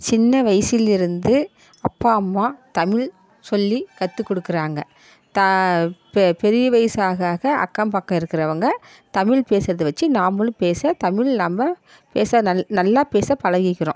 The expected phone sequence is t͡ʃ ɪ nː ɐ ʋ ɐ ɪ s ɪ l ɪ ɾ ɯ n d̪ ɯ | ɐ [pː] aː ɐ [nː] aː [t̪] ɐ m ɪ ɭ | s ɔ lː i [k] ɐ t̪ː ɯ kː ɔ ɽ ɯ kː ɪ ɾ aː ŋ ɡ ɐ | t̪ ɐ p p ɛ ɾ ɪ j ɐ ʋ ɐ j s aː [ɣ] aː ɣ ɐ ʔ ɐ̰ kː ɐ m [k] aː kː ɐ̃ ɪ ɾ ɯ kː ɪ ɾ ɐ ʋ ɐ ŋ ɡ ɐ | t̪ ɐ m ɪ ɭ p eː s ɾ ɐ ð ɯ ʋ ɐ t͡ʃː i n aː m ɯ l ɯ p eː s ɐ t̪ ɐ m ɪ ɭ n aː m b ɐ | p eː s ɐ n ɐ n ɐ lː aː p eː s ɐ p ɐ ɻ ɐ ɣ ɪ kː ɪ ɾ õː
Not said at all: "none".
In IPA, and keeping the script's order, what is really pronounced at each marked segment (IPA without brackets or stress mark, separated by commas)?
pː, mː, t̪, k, ɣ, p